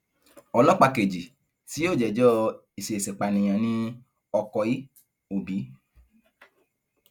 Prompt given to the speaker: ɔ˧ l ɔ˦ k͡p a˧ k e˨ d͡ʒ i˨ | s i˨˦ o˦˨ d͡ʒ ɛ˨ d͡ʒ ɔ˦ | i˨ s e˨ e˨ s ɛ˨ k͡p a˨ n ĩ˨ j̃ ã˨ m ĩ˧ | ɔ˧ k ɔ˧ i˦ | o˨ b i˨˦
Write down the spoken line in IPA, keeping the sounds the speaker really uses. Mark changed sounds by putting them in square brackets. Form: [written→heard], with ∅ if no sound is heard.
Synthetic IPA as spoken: ɔ˧ l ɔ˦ k͡p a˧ k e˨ d͡ʒ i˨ | s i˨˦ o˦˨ d͡ʒ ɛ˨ d͡ʒ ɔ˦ | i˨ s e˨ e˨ s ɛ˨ k͡p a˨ n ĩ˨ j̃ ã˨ [m→n] ĩ˧ | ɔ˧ k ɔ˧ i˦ | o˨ b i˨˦

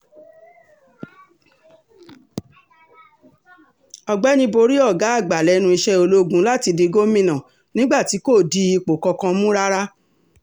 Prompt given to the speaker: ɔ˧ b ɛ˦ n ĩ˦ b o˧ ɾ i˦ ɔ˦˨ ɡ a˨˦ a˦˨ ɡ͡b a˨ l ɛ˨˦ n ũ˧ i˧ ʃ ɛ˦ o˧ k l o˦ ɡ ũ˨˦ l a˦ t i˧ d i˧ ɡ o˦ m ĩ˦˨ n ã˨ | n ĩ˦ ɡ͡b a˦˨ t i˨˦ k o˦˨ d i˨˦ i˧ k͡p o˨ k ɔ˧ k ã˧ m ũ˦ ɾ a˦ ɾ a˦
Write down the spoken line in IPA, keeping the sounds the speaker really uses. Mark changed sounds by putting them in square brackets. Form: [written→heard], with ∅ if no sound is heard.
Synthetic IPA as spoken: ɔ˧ [b→ɡ͡b] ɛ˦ n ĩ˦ b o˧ ɾ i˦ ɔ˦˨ ɡ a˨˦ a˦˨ ɡ͡b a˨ l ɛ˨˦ n ũ˧ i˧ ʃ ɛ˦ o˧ [k→∅] l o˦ ɡ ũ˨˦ l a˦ t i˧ d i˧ ɡ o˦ m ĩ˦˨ n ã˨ | n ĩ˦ ɡ͡b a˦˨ t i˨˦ k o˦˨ d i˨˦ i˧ k͡p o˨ k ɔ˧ k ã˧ m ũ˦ ɾ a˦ ɾ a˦

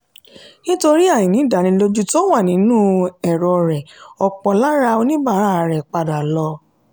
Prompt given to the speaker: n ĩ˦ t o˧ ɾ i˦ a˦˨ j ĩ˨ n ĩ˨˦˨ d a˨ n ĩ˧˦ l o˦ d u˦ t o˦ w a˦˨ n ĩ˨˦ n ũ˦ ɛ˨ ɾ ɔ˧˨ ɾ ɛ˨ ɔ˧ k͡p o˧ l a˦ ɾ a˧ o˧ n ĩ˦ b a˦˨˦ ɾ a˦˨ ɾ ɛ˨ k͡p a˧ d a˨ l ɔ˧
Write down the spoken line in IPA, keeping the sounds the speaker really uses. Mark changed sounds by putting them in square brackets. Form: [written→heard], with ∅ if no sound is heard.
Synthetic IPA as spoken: n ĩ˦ t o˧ ɾ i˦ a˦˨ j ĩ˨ n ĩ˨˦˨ d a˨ n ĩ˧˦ l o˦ [d→d͡ʒ] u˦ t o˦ w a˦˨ n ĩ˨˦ n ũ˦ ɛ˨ ɾ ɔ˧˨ ɾ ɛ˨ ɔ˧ k͡p [o˧→ɔ˧] l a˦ ɾ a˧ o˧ n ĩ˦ b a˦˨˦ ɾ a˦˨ ɾ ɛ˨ k͡p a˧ d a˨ l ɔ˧

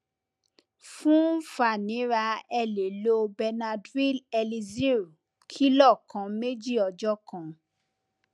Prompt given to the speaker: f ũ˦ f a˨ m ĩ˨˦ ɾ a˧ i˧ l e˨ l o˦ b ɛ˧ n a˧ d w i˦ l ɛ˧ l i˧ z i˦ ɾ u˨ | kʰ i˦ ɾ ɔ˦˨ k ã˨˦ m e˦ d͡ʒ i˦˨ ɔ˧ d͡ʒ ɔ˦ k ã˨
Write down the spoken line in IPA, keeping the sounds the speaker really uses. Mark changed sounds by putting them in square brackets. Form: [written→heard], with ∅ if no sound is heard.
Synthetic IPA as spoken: f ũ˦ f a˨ [m→n] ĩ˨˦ ɾ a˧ [i˧→ɛ˧] l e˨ l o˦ b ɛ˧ n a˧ d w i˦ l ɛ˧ l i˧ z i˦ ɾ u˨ | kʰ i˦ [ɾ→l] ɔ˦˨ k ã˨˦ m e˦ d͡ʒ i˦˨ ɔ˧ d͡ʒ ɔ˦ k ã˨

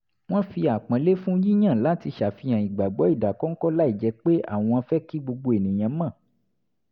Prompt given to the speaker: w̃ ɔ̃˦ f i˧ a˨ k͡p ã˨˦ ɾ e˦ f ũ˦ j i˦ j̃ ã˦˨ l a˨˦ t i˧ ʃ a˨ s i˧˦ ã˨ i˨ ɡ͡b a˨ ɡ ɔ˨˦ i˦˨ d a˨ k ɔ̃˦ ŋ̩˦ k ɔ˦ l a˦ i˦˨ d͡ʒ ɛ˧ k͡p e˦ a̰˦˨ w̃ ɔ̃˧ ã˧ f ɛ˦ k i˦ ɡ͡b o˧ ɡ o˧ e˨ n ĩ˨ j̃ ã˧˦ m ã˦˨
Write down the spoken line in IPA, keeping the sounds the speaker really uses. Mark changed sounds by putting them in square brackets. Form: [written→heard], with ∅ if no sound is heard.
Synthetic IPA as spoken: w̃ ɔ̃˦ f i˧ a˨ k͡p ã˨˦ [ɾ→l] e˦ f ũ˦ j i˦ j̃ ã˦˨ l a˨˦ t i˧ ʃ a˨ [s→f] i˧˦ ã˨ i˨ ɡ͡b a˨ [ɡ→ɡ͡b] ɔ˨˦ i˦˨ d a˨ k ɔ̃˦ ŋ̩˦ k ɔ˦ l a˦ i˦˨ d͡ʒ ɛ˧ k͡p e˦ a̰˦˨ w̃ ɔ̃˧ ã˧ f ɛ˦ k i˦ ɡ͡b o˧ [ɡ→ɡ͡b] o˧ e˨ n ĩ˨ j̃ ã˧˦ m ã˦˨

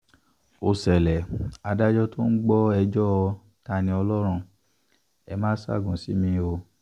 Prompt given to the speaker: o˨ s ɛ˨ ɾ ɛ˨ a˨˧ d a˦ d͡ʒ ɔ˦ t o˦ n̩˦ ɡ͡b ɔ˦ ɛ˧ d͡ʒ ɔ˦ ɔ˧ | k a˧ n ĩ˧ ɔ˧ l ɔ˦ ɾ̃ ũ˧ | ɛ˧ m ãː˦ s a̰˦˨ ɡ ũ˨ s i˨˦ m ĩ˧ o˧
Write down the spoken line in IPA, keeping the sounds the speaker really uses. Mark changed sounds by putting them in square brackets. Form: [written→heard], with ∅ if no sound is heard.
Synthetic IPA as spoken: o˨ s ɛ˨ [ɾ→l] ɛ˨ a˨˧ d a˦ d͡ʒ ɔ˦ t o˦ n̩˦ ɡ͡b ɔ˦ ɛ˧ d͡ʒ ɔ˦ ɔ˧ | [k→t] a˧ n ĩ˧ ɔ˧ l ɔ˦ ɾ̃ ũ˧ | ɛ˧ m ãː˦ s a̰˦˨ ɡ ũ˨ s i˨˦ m ĩ˧ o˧

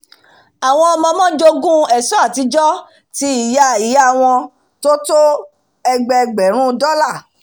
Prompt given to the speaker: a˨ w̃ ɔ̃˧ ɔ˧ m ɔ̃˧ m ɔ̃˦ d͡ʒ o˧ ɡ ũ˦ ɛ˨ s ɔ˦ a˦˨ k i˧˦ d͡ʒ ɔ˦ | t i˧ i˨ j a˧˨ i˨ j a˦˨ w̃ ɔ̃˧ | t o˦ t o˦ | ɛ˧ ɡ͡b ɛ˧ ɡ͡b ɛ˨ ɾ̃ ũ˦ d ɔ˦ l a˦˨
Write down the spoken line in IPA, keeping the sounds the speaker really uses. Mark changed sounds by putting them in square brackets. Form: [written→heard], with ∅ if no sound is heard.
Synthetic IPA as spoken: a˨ w̃ ɔ̃˧ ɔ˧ m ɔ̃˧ m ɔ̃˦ d͡ʒ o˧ ɡ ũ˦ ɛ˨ s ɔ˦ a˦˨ [k→t] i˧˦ d͡ʒ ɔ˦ | t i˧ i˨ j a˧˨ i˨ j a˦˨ w̃ ɔ̃˧ | t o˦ t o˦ | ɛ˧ ɡ͡b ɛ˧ ɡ͡b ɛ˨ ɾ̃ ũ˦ d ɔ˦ l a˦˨

